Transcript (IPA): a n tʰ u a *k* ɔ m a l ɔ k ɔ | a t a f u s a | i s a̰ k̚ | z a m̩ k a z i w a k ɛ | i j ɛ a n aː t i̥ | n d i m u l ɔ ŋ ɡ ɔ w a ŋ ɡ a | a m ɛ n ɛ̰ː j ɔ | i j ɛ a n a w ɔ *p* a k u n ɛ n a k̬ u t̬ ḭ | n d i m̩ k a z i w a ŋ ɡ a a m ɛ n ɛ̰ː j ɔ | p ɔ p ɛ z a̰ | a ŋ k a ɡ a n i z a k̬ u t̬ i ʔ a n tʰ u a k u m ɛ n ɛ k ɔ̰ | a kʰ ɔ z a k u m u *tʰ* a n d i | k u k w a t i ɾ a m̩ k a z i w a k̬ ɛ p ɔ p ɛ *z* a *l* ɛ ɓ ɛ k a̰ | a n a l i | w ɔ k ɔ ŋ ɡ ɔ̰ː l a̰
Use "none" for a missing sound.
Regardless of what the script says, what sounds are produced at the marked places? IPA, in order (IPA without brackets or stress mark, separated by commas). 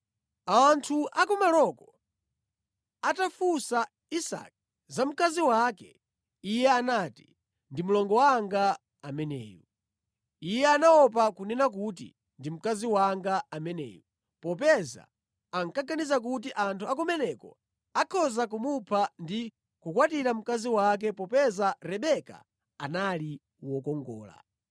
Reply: k, p, pʰ, z, ɾ